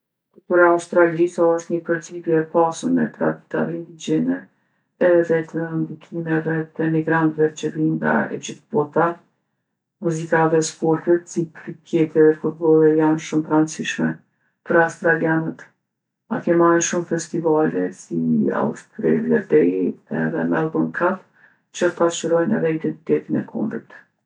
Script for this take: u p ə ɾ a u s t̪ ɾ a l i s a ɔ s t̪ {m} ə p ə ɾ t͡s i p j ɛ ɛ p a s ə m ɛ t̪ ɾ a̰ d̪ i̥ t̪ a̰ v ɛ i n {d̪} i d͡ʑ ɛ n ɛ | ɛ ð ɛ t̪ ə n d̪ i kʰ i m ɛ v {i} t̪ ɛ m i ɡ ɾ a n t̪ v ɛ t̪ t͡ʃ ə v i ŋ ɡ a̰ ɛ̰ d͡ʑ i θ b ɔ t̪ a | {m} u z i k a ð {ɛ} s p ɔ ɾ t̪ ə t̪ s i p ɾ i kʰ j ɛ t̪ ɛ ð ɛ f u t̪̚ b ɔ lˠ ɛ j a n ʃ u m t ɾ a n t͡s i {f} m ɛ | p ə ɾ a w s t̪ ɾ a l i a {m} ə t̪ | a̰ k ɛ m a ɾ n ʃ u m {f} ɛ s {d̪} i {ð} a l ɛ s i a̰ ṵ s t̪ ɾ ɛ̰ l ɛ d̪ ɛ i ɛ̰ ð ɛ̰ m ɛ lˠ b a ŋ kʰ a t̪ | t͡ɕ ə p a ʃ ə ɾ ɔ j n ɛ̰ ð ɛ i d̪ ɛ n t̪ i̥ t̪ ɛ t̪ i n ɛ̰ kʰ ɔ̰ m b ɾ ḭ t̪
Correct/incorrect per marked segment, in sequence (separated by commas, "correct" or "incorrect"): incorrect, correct, incorrect, correct, correct, incorrect, incorrect, correct, incorrect, incorrect